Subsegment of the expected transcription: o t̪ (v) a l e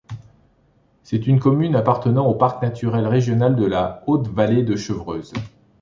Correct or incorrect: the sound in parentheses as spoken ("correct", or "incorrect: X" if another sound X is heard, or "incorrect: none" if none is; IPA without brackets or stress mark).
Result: correct